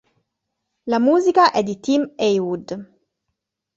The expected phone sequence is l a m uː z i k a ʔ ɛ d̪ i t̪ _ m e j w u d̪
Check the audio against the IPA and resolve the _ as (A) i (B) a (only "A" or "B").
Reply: A